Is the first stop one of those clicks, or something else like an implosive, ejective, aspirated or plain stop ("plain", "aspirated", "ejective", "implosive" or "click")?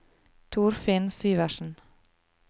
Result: aspirated